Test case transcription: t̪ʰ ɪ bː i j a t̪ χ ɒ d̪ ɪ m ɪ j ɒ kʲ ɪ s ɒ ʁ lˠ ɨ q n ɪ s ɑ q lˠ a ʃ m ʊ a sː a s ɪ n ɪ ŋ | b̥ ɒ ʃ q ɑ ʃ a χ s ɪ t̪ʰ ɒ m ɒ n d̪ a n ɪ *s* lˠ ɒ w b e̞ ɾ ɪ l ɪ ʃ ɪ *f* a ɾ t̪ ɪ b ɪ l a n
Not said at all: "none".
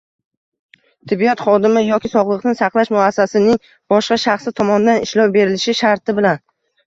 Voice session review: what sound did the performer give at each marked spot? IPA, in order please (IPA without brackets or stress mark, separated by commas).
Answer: ʃ, ʃ